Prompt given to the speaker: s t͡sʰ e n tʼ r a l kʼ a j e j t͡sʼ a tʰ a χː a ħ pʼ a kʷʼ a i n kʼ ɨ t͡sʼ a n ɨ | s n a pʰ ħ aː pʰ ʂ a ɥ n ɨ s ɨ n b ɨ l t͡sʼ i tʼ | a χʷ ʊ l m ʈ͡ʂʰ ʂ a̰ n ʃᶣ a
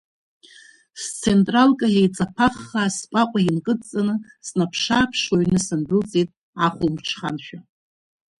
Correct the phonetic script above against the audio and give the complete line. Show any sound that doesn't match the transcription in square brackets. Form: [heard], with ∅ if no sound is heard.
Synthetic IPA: s t͡sʰ e n tʼ r a l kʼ a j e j t͡sʼ a [pʰ] a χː a [s] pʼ a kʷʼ a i n kʼ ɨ t͡sʼ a n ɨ | s n a pʰ [ʂ] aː pʰ ʂ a ɥ n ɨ s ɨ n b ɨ l t͡sʼ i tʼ | a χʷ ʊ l m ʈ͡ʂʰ [χ] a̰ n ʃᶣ a